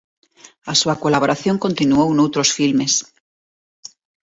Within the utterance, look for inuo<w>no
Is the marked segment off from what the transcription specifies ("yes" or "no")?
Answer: no